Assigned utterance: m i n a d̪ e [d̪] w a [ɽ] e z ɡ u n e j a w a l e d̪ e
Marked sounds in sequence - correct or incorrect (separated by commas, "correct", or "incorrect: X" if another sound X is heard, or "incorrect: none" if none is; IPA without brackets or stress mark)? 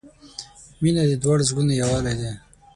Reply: correct, correct